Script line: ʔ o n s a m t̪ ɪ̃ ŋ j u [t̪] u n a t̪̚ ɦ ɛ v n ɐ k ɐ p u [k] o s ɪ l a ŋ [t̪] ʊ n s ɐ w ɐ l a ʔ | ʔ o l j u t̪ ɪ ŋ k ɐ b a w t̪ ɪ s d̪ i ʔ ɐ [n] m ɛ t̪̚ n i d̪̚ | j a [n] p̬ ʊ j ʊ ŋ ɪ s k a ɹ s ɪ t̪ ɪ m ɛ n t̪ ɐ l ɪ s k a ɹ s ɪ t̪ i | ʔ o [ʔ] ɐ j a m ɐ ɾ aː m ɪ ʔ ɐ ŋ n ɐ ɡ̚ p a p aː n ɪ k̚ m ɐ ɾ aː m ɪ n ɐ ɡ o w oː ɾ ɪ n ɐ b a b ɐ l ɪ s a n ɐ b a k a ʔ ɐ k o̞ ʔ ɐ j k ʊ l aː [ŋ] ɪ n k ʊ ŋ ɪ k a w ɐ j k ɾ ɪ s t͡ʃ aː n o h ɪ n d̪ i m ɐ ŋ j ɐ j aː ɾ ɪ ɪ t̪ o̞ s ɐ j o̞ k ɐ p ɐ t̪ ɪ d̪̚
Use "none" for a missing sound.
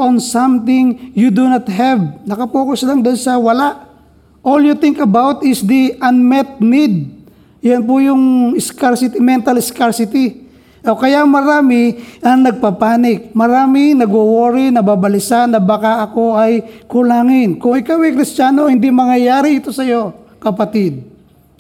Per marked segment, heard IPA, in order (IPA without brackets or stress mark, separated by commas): d̪, k, d̪, n, n, k, ŋ